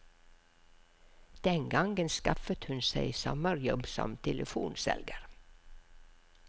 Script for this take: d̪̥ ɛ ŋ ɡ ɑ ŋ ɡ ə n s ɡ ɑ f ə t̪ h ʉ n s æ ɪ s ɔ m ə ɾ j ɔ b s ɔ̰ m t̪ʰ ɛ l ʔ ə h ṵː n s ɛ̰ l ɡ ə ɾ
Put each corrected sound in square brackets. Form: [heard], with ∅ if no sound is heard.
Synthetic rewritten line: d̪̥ ɛ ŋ ɡ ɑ ŋ ɡ ə n s [k] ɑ f ə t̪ h ʉ n s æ ɪ s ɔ m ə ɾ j ɔ b s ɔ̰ m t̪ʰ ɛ l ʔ ə [f] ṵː n s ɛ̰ l ɡ ə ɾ